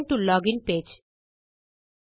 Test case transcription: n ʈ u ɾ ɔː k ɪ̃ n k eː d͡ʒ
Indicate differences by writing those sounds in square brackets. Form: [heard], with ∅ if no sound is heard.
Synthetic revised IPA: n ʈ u [l] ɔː [ɡ] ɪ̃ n [p] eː d͡ʒ